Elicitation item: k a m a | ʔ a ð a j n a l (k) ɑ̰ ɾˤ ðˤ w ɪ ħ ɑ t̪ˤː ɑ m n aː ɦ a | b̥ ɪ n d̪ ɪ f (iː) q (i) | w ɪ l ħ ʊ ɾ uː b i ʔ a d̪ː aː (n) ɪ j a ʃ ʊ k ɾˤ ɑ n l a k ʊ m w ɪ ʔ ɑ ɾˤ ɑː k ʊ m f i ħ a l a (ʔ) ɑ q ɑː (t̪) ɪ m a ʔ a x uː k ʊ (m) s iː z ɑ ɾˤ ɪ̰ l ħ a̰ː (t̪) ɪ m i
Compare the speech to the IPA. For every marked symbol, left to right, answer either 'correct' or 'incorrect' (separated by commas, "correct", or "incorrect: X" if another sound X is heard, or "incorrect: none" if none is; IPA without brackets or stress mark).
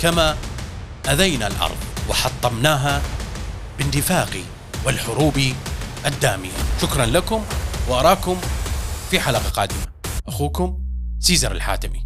incorrect: ʔ, incorrect: aː, correct, incorrect: m, incorrect: q, incorrect: d̪, correct, correct